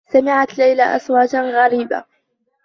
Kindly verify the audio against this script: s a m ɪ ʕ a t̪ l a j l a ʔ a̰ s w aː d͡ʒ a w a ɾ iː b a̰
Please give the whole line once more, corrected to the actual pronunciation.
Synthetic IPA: s a m ɪ ʕ a t̪ l a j l a ʔ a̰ s w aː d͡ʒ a ɣ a ɾ iː b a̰